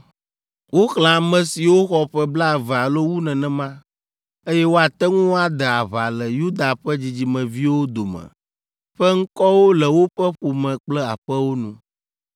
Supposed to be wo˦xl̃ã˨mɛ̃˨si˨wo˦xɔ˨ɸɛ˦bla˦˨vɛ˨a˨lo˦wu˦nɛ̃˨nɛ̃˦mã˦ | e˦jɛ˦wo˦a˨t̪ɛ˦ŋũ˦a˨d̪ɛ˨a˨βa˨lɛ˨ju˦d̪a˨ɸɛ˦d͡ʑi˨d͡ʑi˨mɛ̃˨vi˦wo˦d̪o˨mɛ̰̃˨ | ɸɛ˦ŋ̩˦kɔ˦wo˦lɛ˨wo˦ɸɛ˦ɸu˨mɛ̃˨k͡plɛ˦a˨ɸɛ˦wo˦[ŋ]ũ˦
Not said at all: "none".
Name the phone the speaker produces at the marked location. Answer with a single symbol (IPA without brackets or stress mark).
n